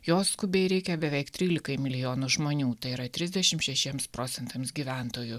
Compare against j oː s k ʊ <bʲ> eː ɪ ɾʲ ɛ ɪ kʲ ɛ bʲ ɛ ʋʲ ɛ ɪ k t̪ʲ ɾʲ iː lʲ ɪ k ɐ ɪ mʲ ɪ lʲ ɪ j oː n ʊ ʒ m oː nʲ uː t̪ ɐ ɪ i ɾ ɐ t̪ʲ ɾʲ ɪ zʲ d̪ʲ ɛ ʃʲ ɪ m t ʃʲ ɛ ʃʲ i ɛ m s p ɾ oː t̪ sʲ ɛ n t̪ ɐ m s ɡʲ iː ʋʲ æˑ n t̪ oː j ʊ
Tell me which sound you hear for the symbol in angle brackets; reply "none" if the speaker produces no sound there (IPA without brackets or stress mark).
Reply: bʲ